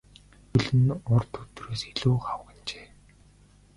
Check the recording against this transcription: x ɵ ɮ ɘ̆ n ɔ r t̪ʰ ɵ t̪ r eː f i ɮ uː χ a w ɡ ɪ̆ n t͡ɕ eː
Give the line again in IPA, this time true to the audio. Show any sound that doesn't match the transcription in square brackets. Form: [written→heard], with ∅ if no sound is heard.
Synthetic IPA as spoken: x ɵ ɮ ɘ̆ n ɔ r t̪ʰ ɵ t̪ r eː [f→s] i ɮ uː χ a w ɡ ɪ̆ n t͡ɕ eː